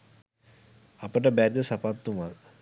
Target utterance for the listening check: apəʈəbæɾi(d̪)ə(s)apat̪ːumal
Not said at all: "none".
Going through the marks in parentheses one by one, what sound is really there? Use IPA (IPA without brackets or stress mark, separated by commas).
d̪, s